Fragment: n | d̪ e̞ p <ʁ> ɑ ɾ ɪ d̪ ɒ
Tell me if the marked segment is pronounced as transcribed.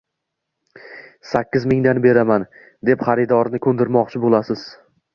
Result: no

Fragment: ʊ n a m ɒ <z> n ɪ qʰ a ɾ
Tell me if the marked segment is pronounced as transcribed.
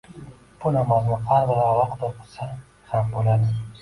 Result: yes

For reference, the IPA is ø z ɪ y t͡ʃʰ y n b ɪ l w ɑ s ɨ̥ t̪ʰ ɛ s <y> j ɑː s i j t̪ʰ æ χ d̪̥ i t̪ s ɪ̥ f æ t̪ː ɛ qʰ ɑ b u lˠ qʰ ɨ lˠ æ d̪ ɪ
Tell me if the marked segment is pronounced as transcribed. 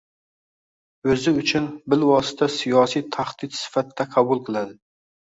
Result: no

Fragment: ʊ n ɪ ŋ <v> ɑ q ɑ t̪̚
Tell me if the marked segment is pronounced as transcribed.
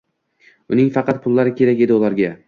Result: no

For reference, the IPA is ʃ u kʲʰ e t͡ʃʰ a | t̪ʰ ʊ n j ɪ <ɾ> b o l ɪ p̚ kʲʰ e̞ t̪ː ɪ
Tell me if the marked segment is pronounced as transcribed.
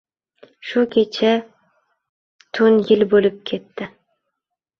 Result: no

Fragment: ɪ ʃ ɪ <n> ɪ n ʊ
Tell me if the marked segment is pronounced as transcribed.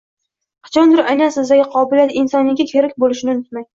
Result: yes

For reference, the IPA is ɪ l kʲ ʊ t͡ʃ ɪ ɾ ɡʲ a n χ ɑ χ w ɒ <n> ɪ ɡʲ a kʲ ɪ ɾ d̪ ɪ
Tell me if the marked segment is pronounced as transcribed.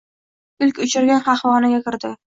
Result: yes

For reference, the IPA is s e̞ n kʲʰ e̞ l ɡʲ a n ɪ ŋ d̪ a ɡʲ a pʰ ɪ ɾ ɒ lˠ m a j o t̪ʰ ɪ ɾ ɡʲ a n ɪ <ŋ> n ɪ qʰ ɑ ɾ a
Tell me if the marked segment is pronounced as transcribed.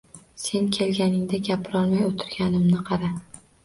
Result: no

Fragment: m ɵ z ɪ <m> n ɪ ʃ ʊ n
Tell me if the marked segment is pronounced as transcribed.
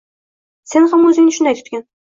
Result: no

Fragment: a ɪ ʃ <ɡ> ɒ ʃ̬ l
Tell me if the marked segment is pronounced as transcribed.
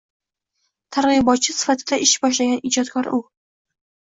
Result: no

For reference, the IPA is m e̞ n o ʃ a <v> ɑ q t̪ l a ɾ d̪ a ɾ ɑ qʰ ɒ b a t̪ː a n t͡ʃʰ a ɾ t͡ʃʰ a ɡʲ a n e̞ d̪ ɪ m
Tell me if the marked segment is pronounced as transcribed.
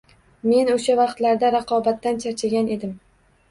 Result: yes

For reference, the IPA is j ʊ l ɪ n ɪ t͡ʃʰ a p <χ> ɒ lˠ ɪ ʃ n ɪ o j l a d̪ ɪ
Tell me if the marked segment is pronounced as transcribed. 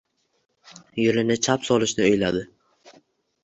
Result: no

